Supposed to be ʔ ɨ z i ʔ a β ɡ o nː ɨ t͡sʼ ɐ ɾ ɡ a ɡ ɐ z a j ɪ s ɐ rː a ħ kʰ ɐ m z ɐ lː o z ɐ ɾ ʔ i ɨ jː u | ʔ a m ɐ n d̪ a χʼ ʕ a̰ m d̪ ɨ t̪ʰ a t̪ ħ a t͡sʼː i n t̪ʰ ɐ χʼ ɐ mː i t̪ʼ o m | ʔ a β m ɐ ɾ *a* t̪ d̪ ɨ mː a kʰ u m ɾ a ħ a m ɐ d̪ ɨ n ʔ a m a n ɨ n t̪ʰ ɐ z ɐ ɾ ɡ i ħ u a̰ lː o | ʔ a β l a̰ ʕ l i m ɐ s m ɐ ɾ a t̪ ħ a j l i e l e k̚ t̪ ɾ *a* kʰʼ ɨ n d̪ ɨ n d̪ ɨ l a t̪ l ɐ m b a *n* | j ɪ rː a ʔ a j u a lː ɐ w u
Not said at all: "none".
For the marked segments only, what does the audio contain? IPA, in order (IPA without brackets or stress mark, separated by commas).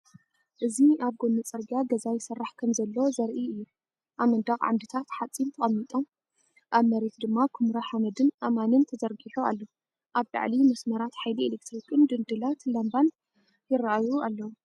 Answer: e, i, n